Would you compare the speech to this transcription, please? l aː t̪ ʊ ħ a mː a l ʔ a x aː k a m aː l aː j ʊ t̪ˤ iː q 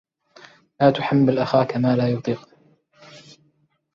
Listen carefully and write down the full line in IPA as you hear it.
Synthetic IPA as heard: l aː t̪ ʊ ħ a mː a l ʔ a x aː k a m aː l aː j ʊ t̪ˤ iː q